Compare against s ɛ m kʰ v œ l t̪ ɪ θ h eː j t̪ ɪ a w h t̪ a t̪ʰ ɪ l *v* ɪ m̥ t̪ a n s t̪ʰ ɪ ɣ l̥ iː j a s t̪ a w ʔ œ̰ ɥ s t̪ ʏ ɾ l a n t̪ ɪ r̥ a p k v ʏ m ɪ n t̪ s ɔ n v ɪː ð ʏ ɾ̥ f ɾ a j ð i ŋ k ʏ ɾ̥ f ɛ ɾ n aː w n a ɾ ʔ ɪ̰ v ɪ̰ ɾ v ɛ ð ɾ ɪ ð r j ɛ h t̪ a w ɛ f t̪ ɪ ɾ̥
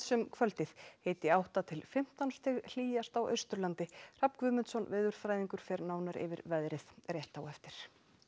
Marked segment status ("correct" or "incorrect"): incorrect